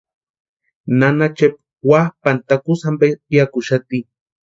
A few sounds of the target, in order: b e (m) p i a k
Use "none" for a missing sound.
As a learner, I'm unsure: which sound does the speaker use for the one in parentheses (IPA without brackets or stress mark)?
none